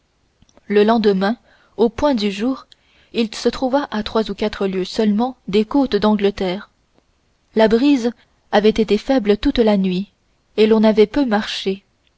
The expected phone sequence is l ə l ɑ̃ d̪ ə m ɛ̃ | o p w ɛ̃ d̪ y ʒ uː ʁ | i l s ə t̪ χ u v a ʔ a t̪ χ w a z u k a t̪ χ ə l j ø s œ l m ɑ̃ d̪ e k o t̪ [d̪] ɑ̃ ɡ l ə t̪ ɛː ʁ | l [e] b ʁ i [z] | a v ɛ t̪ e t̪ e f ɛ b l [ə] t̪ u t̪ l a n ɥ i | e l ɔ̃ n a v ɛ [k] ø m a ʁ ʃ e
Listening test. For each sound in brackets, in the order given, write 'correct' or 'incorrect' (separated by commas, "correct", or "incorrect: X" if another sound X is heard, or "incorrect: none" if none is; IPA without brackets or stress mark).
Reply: correct, incorrect: a, correct, correct, incorrect: p